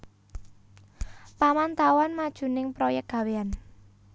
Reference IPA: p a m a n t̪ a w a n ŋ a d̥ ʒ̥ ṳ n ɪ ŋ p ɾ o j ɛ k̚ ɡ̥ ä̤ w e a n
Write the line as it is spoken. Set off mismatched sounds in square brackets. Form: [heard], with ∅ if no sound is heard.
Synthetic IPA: p a m a n t̪ a w a n [m] a d̥ ʒ̥ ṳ n ɪ ŋ p ɾ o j ɛ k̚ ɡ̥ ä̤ w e a n